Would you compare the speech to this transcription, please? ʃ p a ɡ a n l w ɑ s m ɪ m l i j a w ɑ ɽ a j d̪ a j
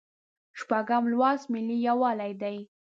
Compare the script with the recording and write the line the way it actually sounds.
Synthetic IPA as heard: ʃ p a ɡ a m l w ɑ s m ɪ l i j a w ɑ l a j d̪ a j